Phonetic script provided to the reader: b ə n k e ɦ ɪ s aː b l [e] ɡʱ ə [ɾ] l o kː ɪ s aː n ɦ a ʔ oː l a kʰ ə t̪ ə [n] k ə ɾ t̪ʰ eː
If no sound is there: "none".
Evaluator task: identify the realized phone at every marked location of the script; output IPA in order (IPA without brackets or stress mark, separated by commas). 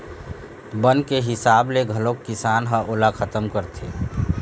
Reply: e, none, m